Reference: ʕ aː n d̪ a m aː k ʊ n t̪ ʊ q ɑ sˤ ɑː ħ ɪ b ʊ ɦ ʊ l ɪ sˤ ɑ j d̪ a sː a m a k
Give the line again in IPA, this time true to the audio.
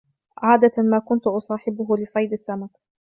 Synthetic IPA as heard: ʕ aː d̪ a m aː k ʊ n t̪ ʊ ʔ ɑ sˤ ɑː ħ ɪ b ʊ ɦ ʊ l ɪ sˤ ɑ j d̪ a sː a m a k